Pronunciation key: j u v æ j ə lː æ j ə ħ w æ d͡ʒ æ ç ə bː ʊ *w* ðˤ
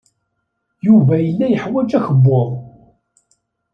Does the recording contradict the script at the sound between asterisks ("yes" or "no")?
yes